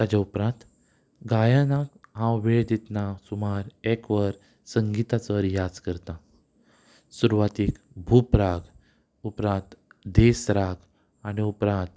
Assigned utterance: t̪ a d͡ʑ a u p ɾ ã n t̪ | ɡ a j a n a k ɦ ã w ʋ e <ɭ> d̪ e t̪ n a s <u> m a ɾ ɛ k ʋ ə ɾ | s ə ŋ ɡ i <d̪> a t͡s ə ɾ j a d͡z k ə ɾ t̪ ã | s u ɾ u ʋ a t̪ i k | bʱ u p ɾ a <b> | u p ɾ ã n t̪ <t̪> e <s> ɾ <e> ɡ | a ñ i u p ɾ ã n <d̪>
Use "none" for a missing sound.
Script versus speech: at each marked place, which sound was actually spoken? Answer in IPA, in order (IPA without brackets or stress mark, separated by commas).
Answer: ɭ, u, t̪, ɡ, d̪, s, a, t̪